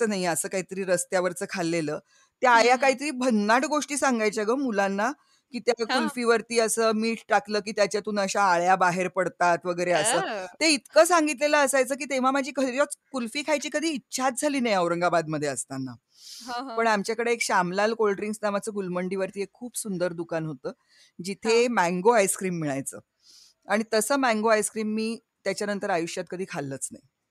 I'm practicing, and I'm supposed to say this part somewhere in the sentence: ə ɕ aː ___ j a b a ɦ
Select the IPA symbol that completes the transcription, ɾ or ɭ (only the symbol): ɭ